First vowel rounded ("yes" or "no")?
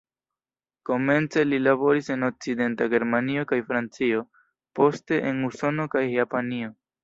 yes